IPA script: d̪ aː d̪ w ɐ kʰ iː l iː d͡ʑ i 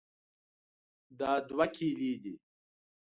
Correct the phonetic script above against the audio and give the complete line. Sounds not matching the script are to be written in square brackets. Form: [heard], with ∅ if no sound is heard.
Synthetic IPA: d̪ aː d̪ w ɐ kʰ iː l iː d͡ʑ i